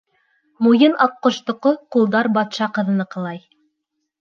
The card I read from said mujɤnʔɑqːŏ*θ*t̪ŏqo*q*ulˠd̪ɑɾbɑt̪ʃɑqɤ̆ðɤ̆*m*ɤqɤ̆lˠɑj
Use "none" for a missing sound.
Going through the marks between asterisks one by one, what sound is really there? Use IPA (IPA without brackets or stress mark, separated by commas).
ʃ, q, n